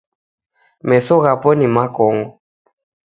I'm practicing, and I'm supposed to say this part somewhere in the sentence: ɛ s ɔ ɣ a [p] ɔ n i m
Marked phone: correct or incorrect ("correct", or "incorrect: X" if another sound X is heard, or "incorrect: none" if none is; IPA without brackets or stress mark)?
correct